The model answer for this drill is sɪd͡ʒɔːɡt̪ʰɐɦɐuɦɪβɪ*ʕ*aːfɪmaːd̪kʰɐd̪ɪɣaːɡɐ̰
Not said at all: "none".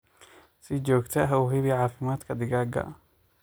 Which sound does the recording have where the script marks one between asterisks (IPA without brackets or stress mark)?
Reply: ʕ